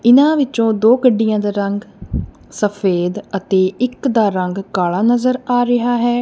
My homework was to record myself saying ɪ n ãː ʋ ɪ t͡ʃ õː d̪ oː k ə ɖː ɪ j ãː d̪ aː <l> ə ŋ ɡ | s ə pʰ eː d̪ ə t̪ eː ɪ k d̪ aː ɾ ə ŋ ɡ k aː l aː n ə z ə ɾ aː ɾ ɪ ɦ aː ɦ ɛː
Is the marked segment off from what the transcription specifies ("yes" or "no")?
yes